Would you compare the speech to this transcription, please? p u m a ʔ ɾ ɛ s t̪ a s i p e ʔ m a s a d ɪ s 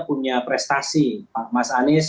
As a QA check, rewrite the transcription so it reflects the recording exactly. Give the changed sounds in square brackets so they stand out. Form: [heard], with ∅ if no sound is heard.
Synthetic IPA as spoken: p u [ɲ] a [p] ɾ ɛ s t̪ a s i p [a] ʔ m a s a [n] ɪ s